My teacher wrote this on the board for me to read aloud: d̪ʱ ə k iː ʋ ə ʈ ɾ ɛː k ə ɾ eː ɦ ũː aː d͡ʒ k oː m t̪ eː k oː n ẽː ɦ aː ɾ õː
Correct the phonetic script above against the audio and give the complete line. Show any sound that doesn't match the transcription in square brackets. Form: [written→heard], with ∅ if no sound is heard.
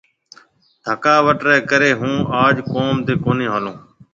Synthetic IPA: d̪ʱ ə k [iː→aː] ʋ ə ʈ ɾ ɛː k ə ɾ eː ɦ ũː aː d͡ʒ k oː m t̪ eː k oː n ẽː ɦ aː [ɾ→l] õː